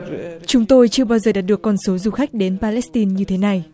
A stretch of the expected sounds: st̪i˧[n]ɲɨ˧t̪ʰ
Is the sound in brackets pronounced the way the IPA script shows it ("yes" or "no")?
yes